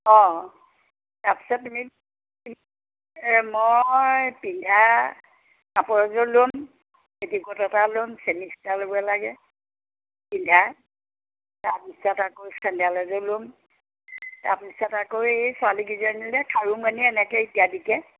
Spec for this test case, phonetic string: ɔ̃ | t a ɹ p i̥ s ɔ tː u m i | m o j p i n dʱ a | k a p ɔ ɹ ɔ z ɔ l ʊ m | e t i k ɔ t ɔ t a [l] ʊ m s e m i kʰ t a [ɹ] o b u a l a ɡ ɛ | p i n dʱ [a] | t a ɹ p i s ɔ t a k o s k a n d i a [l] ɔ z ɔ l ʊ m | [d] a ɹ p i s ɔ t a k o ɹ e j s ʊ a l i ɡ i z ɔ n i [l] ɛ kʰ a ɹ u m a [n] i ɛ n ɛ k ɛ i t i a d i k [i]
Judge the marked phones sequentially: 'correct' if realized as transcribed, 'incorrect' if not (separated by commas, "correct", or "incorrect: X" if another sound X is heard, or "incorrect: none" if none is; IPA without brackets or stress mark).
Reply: correct, incorrect: l, correct, correct, incorrect: t, correct, correct, incorrect: ɛ